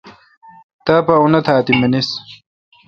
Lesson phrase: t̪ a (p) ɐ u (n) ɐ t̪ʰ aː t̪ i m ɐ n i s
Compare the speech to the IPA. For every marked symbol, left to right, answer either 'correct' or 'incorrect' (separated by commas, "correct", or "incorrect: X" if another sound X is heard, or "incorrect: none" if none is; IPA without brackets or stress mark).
correct, correct